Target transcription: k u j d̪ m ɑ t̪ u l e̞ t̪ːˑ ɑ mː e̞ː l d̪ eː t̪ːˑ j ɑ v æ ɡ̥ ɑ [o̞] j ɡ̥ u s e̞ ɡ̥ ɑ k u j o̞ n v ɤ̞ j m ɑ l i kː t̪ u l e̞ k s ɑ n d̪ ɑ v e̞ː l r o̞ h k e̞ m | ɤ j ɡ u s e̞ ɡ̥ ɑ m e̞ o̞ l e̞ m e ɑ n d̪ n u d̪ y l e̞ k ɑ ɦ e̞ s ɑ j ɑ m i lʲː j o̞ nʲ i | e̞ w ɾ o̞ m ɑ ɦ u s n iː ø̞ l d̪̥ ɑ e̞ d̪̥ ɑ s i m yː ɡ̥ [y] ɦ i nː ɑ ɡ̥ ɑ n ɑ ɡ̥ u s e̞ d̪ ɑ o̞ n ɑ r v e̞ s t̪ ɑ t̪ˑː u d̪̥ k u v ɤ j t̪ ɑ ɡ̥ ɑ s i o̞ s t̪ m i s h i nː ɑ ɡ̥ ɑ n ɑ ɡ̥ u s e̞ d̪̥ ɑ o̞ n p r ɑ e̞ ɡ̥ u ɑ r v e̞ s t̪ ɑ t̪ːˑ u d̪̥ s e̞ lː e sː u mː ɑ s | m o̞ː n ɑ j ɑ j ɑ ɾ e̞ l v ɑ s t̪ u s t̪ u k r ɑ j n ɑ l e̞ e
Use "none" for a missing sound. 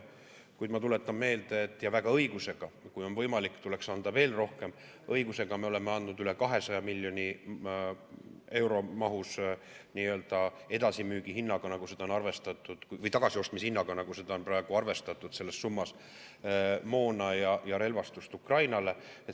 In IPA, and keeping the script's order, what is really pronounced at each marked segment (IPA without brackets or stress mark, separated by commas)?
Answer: ɤ̞, i